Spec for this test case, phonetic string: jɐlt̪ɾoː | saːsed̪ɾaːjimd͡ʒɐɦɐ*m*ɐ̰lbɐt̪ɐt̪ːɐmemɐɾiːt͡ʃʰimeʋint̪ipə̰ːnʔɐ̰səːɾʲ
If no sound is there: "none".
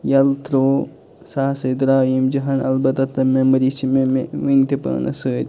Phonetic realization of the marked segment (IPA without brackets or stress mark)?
n